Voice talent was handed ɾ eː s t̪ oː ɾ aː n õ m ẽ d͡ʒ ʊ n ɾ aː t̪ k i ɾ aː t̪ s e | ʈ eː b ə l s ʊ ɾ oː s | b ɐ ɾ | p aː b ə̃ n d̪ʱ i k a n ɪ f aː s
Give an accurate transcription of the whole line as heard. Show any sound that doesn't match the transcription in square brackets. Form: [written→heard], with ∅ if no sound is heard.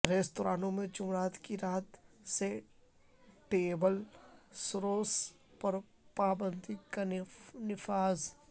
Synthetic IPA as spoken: ɾ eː s t̪ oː ɾ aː n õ m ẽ d͡ʒ ʊ [n→m] ɾ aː t̪ k i ɾ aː t̪ s e | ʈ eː b ə l s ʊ ɾ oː s | [b→p] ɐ ɾ | p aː b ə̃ n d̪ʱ i k a n ɪ f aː [s→z]